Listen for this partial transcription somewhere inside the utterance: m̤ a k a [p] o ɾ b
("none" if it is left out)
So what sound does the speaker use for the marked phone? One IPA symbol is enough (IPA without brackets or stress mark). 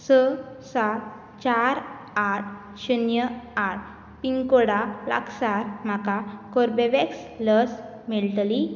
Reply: k